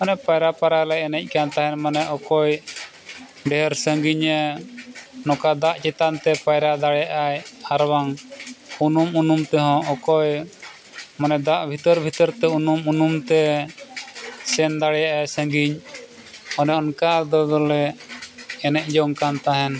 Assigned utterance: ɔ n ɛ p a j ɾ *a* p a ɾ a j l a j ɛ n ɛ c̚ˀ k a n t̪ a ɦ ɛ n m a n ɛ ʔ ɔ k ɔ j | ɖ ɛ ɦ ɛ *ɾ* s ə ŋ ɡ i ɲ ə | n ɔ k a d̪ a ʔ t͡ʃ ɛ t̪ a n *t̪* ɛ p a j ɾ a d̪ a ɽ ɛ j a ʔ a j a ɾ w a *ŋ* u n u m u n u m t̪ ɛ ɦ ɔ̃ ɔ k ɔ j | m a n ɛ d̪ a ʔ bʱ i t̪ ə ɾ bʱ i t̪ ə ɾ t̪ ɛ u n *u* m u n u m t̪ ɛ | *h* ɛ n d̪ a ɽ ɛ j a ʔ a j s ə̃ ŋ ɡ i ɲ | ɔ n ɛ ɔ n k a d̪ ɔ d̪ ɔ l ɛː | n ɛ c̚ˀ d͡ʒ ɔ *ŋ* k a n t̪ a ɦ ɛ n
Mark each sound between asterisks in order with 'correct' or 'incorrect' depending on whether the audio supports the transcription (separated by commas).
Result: correct, correct, correct, correct, correct, incorrect, correct